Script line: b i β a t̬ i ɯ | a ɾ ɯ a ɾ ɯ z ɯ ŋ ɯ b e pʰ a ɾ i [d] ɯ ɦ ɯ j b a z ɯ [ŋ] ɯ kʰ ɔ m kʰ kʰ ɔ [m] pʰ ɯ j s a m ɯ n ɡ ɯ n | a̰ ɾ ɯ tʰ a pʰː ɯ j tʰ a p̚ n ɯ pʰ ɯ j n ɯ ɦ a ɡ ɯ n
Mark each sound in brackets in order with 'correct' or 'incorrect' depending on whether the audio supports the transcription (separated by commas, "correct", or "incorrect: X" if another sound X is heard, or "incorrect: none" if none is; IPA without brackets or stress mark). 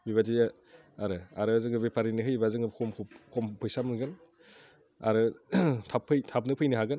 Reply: incorrect: n, correct, correct